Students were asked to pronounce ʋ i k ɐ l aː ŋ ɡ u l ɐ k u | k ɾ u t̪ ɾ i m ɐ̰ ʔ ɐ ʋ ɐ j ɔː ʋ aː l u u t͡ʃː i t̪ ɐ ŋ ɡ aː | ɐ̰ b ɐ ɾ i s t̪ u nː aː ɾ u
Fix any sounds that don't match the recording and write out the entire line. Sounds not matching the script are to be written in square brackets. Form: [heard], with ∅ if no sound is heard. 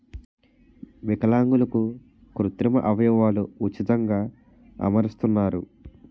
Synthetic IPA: ʋ i k ɐ l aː ŋ ɡ u l ɐ k u | k ɾ u t̪ ɾ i m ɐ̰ ʔ ɐ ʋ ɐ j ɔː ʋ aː l u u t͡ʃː i t̪ ɐ ŋ ɡ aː | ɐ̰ [m] ɐ ɾ i s t̪ u nː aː ɾ u